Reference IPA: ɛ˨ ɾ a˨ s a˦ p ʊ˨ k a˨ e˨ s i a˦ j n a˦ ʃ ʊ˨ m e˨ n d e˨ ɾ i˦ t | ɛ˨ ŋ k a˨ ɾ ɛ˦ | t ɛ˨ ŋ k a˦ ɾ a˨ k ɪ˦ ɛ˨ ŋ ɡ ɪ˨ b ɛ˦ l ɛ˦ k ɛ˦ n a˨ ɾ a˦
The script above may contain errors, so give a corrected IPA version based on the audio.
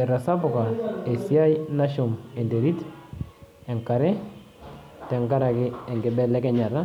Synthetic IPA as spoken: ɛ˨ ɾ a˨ s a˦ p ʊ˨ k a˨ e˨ s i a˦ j n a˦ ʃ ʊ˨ m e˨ n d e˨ ɾ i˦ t | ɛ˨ ŋ k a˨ ɾ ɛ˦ | t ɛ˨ ŋ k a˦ ɾ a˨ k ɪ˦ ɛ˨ ŋ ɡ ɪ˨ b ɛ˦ l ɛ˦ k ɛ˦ ɲ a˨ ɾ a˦